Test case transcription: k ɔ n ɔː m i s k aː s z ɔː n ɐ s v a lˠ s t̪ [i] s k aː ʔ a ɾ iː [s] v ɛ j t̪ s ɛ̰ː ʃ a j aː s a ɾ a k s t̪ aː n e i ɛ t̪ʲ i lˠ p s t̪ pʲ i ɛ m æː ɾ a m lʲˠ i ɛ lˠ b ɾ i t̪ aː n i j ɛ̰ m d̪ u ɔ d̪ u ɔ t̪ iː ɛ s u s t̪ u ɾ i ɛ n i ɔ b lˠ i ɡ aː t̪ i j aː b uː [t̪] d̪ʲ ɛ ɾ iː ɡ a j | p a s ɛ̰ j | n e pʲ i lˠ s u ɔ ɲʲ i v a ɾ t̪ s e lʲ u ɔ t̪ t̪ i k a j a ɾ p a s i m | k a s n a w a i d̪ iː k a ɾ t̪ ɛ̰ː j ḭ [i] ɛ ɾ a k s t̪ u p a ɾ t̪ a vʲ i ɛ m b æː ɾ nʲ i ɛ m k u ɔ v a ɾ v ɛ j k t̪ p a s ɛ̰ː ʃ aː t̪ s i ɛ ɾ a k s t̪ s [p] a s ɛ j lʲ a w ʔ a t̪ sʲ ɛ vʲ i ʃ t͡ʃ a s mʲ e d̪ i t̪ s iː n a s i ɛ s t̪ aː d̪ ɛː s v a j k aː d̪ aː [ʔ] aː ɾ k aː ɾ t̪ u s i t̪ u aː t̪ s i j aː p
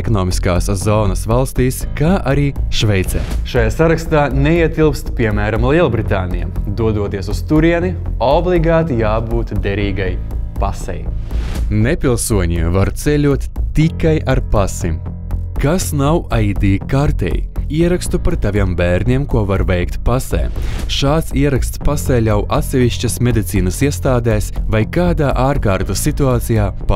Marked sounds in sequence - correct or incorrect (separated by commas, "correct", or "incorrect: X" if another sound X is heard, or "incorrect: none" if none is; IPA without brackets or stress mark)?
incorrect: iː, incorrect: ʃ, correct, correct, correct, correct